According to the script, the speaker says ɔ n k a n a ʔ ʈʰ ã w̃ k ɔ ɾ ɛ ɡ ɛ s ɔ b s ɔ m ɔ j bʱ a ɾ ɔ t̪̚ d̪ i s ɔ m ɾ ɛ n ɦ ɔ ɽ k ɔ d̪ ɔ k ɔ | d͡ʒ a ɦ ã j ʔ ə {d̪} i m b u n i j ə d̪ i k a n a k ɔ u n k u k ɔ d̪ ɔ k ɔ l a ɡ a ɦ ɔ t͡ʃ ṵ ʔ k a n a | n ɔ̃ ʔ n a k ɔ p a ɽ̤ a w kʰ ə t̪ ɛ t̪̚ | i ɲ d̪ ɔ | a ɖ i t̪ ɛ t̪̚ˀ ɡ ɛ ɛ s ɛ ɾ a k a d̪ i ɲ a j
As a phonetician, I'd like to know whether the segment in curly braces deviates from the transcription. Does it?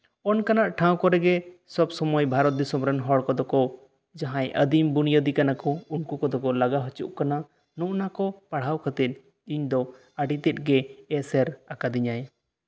no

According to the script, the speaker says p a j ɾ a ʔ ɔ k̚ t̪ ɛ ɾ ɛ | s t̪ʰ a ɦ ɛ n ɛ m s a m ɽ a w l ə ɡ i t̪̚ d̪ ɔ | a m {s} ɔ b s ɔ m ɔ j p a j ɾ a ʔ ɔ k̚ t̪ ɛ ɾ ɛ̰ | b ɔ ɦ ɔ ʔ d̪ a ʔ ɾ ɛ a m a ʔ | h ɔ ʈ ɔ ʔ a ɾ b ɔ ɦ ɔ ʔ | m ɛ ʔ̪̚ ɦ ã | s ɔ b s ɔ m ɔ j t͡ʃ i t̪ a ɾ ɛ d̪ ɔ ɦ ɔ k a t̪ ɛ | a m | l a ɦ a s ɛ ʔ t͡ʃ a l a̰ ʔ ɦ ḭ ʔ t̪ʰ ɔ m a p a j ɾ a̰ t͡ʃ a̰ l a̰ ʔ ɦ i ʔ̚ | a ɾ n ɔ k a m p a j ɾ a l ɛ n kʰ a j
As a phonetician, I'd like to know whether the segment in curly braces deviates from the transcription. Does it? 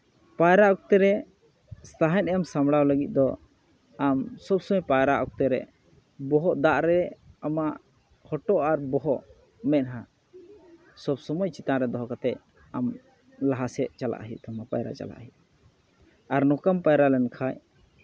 no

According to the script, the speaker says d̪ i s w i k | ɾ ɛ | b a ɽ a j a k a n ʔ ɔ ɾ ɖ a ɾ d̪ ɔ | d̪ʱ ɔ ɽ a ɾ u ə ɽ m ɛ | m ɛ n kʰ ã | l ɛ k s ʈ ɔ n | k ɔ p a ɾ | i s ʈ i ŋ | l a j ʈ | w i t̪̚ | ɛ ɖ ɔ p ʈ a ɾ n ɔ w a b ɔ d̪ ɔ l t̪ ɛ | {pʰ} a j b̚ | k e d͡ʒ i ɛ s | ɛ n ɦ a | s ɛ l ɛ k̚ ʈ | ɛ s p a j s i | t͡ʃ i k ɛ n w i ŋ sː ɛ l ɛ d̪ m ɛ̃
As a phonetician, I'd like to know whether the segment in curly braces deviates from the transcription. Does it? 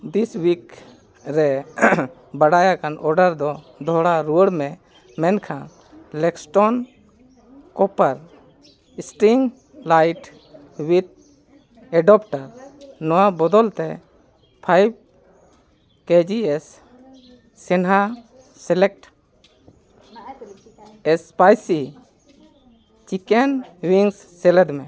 no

